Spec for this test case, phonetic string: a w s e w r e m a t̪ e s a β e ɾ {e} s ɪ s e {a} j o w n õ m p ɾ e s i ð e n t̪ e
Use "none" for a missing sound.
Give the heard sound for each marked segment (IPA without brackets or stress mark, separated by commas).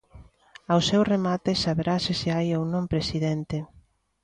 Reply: a, a